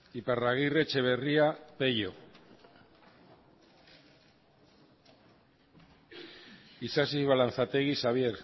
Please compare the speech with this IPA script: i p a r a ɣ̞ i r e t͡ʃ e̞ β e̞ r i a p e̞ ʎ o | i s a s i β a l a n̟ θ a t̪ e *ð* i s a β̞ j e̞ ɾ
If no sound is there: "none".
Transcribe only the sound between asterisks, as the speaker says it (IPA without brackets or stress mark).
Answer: ɣ